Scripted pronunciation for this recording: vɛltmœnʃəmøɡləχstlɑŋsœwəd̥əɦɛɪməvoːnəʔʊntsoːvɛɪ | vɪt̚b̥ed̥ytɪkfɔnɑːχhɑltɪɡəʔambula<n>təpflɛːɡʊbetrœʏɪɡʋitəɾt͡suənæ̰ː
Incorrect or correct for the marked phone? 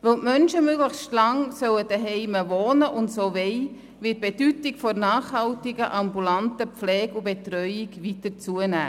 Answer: correct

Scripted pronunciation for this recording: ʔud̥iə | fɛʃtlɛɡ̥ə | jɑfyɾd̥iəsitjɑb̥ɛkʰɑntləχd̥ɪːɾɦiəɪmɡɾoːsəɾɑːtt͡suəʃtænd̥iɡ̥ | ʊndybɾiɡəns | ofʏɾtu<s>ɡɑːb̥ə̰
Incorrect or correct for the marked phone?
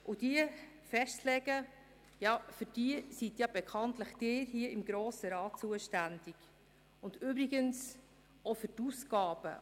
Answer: correct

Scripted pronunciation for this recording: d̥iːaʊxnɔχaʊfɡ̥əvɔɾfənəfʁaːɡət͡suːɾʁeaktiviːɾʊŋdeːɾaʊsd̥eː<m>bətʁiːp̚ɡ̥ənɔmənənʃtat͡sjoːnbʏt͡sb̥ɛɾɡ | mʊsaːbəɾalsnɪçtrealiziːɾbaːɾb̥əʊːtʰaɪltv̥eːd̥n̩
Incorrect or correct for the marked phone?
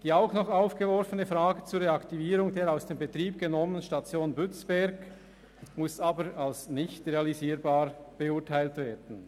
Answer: correct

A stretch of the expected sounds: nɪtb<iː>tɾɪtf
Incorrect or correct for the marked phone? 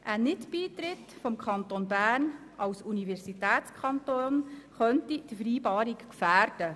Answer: correct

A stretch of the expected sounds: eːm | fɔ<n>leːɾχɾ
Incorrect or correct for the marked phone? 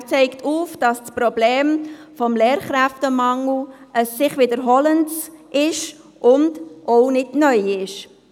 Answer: incorrect: m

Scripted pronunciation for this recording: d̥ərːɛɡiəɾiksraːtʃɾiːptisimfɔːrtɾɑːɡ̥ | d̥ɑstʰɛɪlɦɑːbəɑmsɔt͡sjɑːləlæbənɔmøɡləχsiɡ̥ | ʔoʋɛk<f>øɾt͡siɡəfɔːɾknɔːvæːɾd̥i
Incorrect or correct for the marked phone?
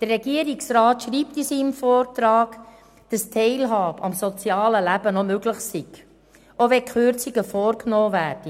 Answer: incorrect: χ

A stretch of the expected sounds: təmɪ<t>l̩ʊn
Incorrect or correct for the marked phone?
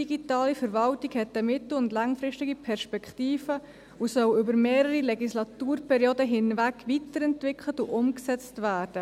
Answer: correct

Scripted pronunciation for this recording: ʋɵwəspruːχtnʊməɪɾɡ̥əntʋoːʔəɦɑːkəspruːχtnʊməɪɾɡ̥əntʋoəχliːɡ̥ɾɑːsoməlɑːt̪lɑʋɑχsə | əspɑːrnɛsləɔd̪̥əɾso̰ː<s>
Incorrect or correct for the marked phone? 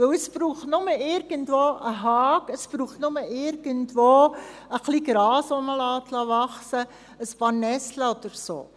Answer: incorrect: none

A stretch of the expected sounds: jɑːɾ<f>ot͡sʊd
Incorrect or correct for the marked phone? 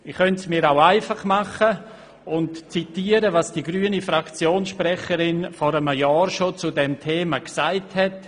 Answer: incorrect: ʃ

